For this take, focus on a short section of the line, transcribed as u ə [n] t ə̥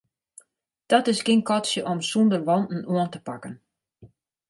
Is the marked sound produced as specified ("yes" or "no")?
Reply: yes